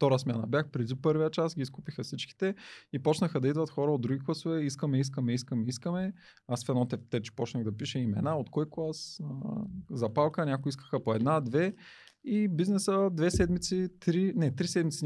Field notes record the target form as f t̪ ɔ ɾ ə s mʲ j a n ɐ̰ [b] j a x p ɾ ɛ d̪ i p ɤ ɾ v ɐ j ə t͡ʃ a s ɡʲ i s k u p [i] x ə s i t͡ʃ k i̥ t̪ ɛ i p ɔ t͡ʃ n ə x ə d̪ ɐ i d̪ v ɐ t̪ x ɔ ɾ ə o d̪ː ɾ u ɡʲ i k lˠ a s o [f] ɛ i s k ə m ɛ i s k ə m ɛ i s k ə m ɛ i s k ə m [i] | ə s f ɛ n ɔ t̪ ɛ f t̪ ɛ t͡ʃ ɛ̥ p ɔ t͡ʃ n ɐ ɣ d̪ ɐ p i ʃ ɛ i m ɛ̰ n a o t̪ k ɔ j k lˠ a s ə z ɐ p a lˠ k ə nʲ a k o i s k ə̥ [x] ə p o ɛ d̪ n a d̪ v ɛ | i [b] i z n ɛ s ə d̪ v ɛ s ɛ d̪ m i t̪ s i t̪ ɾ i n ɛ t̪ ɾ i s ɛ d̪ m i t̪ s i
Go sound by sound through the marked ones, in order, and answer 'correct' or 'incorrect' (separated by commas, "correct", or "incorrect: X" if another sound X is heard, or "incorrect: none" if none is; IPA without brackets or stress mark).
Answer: correct, correct, incorrect: v, incorrect: ɛ, correct, correct